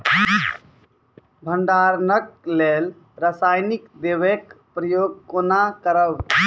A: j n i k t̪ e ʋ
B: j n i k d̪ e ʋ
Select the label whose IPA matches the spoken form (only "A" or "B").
B